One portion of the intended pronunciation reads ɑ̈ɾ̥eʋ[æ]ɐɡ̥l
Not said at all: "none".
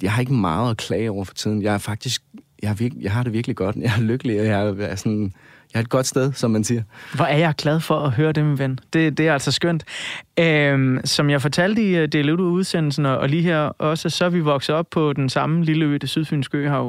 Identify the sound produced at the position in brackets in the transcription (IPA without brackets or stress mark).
i